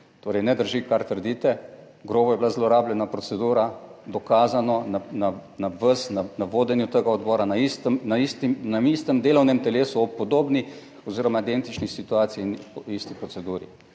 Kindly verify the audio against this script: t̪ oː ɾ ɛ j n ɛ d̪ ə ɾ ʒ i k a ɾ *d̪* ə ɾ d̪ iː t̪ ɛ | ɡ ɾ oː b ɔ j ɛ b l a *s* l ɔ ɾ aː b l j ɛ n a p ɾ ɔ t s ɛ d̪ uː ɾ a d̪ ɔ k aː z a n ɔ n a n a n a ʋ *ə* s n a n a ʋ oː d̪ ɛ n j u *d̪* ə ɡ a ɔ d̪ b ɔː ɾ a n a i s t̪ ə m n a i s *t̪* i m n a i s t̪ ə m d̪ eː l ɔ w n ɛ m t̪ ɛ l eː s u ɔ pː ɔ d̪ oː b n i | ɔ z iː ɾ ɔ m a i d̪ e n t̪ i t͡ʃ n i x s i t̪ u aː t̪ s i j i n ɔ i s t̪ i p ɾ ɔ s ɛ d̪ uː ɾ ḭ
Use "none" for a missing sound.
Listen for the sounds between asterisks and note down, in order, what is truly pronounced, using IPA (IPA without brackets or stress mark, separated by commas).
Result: t̪, z, ə, t̪, t̪